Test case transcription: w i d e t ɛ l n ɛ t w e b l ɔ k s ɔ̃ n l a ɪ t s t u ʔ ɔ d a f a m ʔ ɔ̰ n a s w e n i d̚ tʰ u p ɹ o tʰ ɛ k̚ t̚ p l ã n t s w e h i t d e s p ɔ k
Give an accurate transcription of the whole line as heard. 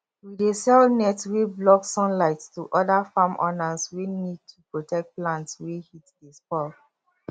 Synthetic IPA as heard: w i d e s ɛ l n ɛ t w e b l ɔ k s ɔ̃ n l a ɪ t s t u ʔ ɔ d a f a m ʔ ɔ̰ n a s w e n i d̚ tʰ u p ɹ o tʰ ɛ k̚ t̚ p l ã n t s w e h i t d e s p ɔ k